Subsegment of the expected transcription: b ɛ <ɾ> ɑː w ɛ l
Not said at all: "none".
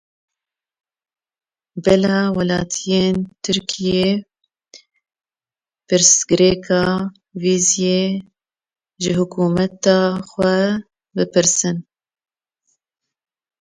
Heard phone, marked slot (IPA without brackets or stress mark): l